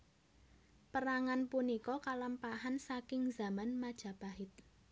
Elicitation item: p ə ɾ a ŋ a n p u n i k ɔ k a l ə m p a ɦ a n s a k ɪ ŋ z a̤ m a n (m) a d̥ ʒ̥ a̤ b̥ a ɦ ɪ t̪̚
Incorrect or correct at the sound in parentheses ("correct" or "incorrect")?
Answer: correct